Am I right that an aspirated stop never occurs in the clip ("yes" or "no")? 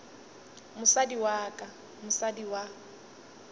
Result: yes